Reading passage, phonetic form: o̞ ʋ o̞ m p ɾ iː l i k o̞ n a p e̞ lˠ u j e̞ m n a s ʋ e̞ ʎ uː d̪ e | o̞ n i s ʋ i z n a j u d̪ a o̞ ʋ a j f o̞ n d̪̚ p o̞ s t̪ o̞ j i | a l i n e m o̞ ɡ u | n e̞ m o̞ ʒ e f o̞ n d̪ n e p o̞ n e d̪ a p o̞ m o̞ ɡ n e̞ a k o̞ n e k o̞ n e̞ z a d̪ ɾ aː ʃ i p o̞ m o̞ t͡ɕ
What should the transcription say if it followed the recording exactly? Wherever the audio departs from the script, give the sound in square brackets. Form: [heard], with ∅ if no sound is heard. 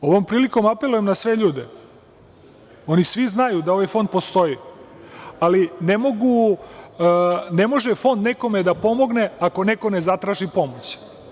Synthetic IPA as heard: o̞ ʋ o̞ m p ɾ iː l i k o̞ [m] a p e̞ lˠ u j e̞ m n a s ʋ e̞ ʎ uː d̪ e | o̞ n i s ʋ i z n a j u d̪ a o̞ ʋ a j f o̞ n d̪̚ p o̞ s t̪ o̞ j i | a l i n e m o̞ ɡ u | n e̞ m o̞ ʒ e f o̞ n d̪ n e [k] o̞ [m] e d̪ a p o̞ m o̞ ɡ n e̞ a k o̞ n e k o̞ n e̞ z a [t̪] ɾ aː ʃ i p o̞ m o̞ t͡ɕ

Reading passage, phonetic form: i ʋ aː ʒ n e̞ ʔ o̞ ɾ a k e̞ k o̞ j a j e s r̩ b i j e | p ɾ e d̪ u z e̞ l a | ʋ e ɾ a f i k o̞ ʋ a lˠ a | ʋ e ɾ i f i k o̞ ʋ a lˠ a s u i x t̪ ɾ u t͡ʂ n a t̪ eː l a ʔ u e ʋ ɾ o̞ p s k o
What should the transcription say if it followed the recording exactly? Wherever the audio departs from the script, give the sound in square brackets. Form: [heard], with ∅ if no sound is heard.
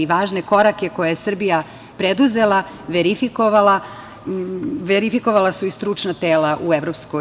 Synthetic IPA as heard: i ʋ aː ʒ n e̞ [k] o̞ ɾ a k e̞ k o̞ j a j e s r̩ b i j [a] | p ɾ e d̪ u z e̞ l a | ʋ e ɾ [i] f i k o̞ ʋ a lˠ a | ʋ e ɾ i f i k o̞ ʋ a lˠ a s u i [s] t̪ ɾ u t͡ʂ n a t̪ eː l a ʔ u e ʋ ɾ o̞ p s k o

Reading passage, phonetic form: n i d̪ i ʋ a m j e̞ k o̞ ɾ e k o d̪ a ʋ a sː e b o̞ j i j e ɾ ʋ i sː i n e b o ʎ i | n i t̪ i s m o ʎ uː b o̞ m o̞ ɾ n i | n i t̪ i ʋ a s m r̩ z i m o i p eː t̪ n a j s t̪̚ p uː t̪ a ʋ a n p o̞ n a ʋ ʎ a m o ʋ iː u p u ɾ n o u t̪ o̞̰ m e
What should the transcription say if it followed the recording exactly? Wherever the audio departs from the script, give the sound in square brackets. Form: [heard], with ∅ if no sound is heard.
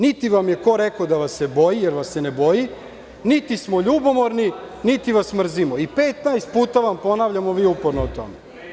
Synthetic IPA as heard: n i [t̪] i ʋ a m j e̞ k o̞ ɾ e k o d̪ a ʋ a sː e b o̞ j i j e ɾ ʋ [a] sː [e] n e b o [j] i | n i t̪ i s m o ʎ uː b o̞ m o̞ ɾ n i | n i t̪ i ʋ a s m r̩ z i m o i p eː t̪ n a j s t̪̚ p uː t̪ a ʋ a [m] p o̞ n a ʋ ʎ a m o ʋ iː u p [o] ɾ n o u t̪ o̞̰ m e

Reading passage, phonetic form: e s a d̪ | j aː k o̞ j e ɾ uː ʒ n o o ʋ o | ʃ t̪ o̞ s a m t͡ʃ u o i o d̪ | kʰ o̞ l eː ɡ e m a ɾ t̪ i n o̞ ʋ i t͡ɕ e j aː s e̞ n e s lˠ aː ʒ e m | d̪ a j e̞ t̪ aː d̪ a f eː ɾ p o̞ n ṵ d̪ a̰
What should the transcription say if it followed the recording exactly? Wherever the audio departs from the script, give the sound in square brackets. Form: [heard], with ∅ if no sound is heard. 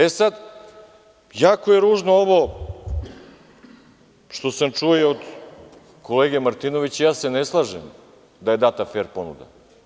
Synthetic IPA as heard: e s a d̪ | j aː k o̞ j e ɾ uː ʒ n o o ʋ o | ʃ t̪ o̞ s a m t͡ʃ u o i o d̪ | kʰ o̞ l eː ɡ e m a ɾ t̪ i n o̞ ʋ i t͡ɕ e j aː s e̞ n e s lˠ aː ʒ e m | d̪ a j e̞ [d̪] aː [t̪] a f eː ɾ p o̞ n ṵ d̪ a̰

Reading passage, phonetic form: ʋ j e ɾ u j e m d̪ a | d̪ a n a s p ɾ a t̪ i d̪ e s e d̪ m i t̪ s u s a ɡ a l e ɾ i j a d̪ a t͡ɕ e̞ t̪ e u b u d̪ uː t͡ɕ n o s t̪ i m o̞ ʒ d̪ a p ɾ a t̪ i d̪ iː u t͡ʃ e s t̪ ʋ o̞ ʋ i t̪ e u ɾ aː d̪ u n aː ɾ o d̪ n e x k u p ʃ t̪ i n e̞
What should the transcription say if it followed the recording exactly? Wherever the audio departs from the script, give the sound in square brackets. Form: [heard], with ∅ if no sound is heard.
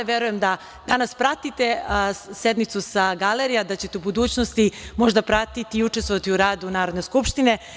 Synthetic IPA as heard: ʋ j e ɾ u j e m d̪ a | d̪ a n a s p ɾ a t̪ i [t̪] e s e d̪ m i t̪ s u s a ɡ a l e ɾ i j a d̪ a t͡ɕ e̞ t̪ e u b u d̪ uː t͡ɕ n o s t̪ i m o̞ ʒ d̪ a p ɾ a t̪ i [t̪] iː u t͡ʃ e s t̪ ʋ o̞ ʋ [a] t̪ [i] u ɾ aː d̪ u n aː ɾ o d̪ n e [s] k u p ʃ t̪ i n e̞

